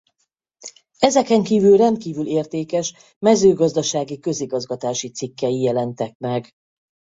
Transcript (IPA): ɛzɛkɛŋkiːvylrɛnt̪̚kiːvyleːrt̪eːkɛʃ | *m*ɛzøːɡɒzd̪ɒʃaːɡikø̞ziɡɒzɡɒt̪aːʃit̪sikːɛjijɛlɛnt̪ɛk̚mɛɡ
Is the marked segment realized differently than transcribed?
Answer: no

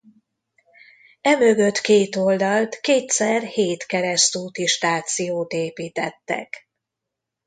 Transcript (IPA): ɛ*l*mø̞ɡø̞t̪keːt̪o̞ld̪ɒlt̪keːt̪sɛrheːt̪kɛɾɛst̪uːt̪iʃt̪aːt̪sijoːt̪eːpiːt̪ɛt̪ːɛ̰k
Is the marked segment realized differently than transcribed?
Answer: yes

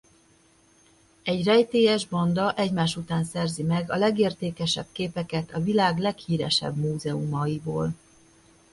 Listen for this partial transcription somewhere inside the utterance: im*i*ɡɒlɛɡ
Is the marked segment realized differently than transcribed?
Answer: yes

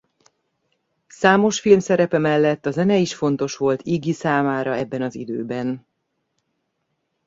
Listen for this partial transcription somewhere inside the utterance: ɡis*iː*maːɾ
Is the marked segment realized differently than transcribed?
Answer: yes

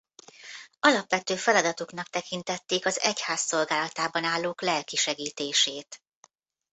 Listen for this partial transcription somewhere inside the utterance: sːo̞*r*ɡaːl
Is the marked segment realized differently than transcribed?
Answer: yes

